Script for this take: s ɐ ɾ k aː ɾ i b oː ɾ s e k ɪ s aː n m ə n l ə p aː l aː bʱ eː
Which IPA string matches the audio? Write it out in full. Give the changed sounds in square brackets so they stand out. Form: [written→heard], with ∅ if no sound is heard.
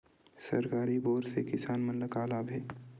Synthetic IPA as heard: s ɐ ɾ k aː ɾ i b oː ɾ s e k ɪ s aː n m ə n l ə [p→k] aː l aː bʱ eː